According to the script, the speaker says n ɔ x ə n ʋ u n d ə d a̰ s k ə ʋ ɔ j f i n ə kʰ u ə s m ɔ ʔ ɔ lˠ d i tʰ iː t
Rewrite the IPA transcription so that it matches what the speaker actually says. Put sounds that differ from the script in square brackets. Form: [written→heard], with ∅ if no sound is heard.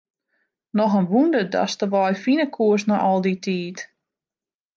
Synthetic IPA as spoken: n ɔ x ə n ʋ u n d ə d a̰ s [k→t] ə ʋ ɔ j f i n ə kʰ u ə s [m→n] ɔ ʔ ɔ lˠ d i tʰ iː t